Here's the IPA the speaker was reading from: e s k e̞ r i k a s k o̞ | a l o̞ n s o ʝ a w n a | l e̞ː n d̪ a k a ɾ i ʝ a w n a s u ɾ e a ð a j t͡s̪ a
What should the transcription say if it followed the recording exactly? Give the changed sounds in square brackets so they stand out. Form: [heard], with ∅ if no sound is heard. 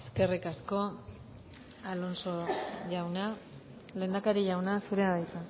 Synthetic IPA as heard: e s k e̞ r i k a s k o̞ | a l o̞ n s o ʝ a w n a | l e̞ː n d̪ a k a ɾ i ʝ a w n a s u ɾ e a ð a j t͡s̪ a

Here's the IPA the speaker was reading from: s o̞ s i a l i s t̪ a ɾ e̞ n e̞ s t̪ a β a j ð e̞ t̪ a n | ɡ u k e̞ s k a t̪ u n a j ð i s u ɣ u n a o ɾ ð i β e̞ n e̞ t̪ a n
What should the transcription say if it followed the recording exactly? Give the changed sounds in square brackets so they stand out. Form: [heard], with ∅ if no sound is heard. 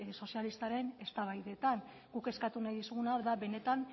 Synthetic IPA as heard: s o̞ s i a l i s t̪ a ɾ e̞ n e̞ s t̪ a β a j ð e̞ t̪ a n | ɡ u k e̞ s k a t̪ u n a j ð i s u ɣ u n a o ɾ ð [a] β e̞ n e̞ t̪ a n

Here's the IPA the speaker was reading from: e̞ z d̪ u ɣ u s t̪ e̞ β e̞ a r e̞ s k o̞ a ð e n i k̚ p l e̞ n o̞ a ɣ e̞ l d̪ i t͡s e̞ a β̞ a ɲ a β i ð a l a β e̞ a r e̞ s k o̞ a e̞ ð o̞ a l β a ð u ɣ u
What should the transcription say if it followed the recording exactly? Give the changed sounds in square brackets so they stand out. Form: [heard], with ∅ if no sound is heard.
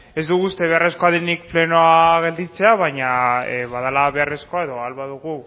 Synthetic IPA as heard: e̞ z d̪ u ɣ u s t̪ e̞ β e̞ a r e̞ s k o̞ a ð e n i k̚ p l e̞ n o̞ a ɣ e̞ l d̪ i t͡s e̞ a β̞ a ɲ a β [a] ð a l a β e̞ a r e̞ s k o̞ a e̞ ð o̞ a l β a ð u ɣ u

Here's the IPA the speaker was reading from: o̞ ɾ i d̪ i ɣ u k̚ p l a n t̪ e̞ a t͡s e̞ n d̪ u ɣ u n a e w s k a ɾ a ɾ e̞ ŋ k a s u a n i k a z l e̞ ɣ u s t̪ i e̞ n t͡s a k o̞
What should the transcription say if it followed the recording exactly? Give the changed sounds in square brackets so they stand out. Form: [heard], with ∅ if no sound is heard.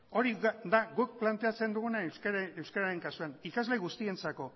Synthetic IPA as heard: o̞ ɾ i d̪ [a] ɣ u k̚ p l a n t̪ e̞ a t͡s e̞ n d̪ u ɣ u n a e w s k a ɾ a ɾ e̞ ŋ k a s u a n i k a z l e̞ ɣ u s t̪ i e̞ n t͡s a k o̞

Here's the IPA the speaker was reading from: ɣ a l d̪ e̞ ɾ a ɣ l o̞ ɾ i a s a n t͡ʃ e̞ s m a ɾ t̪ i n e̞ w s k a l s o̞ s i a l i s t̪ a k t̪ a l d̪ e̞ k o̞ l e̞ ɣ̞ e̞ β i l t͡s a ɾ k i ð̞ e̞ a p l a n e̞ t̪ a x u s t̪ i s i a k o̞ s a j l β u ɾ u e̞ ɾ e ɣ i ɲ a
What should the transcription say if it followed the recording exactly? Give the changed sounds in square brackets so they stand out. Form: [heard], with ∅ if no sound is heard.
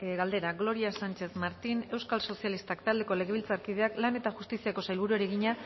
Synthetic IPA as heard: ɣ a l d̪ e̞ ɾ a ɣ l o̞ ɾ i a s a n t͡ʃ e̞ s m a ɾ t̪ i n e̞ w s k a l s o̞ s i a l i s t̪ a k t̪ a l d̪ e̞ k o̞ l e̞ ɣ̞ e̞ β i l t͡s a ɾ k i ð̞ e̞ a [k] l a n e̞ t̪ a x u s t̪ i s i a k o̞ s a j l β u ɾ u e̞ ɾ e ɣ i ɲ a

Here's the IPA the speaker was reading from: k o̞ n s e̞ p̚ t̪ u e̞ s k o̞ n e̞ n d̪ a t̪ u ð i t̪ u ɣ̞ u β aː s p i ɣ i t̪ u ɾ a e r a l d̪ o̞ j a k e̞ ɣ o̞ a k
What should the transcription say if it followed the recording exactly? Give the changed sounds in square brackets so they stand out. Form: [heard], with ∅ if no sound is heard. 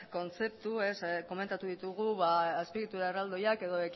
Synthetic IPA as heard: k o̞ n [t͡s] e̞ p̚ t̪ u e̞ s k o̞ [m] e̞ n [t̪] a t̪ u ð i t̪ u ɣ̞ u β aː s p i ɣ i t̪ u ɾ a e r a l d̪ o̞ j a k e̞ [ð] o̞ [e] k

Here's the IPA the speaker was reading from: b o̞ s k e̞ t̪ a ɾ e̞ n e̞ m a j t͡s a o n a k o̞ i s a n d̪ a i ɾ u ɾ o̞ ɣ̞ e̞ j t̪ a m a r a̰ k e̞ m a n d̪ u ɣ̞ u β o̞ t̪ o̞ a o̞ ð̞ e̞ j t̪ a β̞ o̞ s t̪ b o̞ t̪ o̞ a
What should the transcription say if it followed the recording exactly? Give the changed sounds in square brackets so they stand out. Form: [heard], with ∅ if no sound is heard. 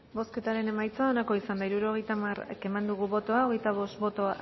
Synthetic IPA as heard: b o̞ s k e̞ t̪ a ɾ e̞ n e̞ m a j t͡s a o n a k o̞ i s a n d̪ a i ɾ u ɾ o̞ ɣ̞ e̞ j t̪ a m a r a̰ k e̞ m a n d̪ u ɣ̞ u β o̞ t̪ o̞ a o̞ [ɣ̞] e̞ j t̪ a β̞ o̞ s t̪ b o̞ t̪ o̞ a

